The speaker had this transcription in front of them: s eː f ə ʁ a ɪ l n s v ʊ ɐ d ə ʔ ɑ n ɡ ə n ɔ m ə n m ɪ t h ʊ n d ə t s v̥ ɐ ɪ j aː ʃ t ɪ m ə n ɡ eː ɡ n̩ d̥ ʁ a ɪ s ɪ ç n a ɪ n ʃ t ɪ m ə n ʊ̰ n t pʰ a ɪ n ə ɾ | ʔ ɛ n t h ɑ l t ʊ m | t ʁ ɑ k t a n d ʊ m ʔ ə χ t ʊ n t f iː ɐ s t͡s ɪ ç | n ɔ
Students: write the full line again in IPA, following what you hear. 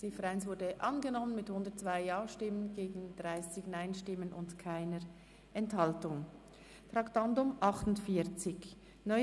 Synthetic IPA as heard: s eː f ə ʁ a ɪ n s v ʊ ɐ d ə ʔ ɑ n ɡ ə n ɔ m ə n m ɪ t h ʊ n d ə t t͡s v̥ a ɪ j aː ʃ t ɪ m ə n ɡ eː ɡ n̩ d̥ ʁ a ɪ s ɪ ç n a ɪ n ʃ t ɪ m ə n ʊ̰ n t kʰ a ɪ n ə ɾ | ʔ ɛ n t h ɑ l t ʊ ŋ | t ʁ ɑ k t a n d ʊ m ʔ ɑ χ t ʊ n t f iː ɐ t͡s ɪ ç | n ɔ